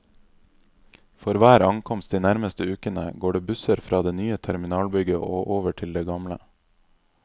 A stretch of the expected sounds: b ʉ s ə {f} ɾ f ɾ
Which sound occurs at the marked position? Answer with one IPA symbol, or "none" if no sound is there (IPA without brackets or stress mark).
none